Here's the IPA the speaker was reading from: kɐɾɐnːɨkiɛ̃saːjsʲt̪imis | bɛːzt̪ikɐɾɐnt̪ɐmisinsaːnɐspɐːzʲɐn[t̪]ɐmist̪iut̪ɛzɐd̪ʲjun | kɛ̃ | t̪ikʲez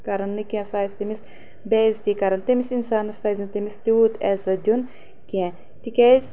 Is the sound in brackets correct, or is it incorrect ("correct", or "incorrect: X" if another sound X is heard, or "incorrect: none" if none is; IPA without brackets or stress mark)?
correct